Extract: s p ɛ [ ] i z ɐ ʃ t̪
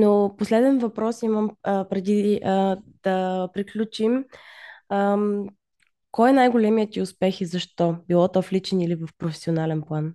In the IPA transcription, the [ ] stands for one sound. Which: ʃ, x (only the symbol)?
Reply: x